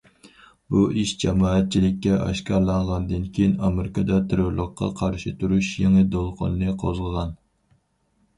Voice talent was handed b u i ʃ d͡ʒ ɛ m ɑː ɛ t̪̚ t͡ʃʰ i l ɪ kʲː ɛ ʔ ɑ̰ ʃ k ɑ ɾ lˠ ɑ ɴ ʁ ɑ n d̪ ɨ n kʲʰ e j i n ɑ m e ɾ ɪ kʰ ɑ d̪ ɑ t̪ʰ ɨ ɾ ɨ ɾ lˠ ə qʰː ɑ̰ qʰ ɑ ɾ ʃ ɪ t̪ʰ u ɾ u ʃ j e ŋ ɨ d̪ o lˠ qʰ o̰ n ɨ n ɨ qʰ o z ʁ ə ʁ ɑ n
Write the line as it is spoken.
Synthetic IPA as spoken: b u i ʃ d͡ʒ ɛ m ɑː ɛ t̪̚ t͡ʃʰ i l ɪ kʲː ɛ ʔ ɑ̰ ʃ k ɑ ɾ lˠ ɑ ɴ ʁ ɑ n d̪ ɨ n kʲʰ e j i n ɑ m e ɾ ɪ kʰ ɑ d̪ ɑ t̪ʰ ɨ ɾ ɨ ɾ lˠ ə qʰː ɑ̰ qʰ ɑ ɾ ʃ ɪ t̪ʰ u ɾ u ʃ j e ŋ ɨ d̪ o lˠ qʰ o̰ n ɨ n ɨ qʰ o z ʁ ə ʁ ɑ n